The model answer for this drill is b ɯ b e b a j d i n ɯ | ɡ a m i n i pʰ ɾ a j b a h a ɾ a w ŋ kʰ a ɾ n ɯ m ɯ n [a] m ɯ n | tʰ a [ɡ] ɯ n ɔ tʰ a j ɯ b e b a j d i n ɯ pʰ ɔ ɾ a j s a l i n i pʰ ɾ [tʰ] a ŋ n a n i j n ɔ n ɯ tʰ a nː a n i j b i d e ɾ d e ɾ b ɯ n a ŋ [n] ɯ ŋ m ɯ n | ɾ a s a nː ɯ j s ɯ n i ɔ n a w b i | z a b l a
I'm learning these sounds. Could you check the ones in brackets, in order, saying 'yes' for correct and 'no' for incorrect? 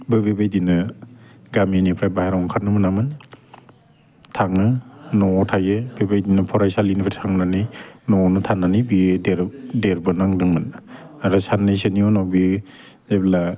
yes, no, yes, no

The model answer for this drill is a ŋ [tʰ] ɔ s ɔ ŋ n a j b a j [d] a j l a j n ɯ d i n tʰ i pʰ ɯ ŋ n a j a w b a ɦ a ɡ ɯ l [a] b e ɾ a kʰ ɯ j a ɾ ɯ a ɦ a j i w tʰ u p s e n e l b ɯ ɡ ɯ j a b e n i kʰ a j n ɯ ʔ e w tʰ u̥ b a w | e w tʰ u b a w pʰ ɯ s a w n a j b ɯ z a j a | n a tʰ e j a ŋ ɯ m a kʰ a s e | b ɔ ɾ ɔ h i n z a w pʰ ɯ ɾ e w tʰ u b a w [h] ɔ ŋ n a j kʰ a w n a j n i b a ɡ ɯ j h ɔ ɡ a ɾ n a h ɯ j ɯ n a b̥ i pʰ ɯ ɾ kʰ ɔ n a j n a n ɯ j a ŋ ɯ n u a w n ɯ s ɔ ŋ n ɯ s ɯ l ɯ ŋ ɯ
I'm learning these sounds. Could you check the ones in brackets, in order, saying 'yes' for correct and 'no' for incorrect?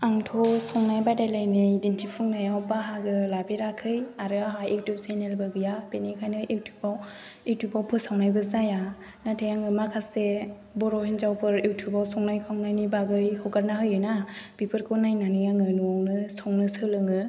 yes, yes, yes, no

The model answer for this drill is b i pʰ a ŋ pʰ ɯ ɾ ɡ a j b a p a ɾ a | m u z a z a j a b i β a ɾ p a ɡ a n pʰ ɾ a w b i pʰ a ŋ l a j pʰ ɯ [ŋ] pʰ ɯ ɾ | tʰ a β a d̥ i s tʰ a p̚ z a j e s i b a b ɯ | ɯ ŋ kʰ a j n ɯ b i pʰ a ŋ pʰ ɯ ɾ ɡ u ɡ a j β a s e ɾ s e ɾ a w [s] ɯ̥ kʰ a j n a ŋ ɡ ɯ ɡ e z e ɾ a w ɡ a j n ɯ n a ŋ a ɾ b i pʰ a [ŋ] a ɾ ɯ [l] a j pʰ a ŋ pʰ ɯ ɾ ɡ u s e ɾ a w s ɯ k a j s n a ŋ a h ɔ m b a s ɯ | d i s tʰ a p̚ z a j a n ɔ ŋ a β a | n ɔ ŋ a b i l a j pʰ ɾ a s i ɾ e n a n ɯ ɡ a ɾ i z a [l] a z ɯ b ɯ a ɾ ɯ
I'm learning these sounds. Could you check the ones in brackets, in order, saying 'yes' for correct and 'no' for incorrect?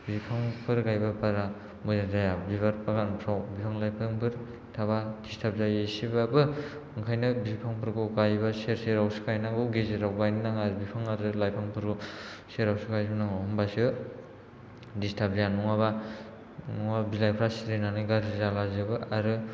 yes, yes, yes, yes, yes

